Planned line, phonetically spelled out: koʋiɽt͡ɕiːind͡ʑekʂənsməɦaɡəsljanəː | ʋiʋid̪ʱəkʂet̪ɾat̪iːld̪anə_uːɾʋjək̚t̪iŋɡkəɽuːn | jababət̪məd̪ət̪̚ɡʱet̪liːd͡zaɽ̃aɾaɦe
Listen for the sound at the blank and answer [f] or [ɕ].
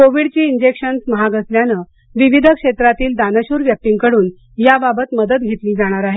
ɕ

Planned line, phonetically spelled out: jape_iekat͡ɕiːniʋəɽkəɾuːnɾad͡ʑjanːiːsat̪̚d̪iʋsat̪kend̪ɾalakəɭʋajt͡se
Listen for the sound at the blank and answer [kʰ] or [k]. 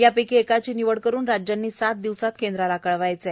k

